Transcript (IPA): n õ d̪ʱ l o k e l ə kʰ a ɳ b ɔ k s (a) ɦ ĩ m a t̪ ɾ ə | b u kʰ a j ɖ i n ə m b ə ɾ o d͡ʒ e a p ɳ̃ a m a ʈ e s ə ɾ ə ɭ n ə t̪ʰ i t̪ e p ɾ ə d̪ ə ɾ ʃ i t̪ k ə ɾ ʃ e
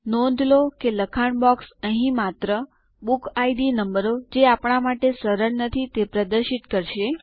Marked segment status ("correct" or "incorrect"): incorrect